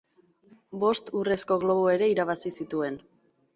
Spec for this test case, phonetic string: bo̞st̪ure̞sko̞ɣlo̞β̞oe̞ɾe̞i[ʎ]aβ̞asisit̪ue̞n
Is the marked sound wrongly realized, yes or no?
yes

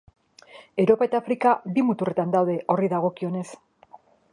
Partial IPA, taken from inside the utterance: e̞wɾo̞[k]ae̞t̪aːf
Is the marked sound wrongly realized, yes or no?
yes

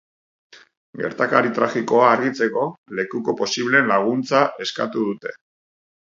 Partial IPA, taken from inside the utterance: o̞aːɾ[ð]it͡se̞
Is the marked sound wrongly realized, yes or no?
yes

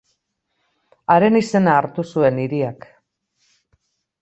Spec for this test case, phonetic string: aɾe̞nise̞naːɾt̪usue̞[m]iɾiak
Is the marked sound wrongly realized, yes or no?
yes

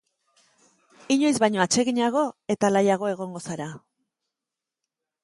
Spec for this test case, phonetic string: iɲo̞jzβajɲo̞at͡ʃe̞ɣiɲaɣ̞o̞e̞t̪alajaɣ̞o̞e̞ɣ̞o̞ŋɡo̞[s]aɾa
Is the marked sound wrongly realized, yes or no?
no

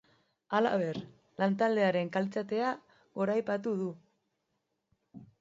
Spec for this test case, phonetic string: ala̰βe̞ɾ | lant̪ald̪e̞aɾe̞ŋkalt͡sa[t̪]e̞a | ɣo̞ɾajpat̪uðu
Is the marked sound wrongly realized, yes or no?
no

